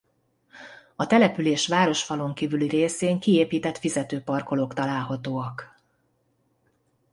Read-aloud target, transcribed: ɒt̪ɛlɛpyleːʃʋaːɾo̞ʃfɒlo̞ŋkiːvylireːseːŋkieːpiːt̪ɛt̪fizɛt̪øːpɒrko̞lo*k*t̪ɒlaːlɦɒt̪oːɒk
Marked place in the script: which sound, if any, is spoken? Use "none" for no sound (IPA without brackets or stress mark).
k